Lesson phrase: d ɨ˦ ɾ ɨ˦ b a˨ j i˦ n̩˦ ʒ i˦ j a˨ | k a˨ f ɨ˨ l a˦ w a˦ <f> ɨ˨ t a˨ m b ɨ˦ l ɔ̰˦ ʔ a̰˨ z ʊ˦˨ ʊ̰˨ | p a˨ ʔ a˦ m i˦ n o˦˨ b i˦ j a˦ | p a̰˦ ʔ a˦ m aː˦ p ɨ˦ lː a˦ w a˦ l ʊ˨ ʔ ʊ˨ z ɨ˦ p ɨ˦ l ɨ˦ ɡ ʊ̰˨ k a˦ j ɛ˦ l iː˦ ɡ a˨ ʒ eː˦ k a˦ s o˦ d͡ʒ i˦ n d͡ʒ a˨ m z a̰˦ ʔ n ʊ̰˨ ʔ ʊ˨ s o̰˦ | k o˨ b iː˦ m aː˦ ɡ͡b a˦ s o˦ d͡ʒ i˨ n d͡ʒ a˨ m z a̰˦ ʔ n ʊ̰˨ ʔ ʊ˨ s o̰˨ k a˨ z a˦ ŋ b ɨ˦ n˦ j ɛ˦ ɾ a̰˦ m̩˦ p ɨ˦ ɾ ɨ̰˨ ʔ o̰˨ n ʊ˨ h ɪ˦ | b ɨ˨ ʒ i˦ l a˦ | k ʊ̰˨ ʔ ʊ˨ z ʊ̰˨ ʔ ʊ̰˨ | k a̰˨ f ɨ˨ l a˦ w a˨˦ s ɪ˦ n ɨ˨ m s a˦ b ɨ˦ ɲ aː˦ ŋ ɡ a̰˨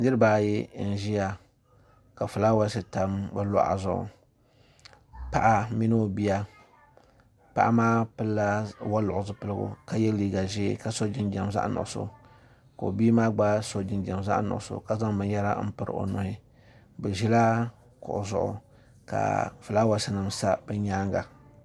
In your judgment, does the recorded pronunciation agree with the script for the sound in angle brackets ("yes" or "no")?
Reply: no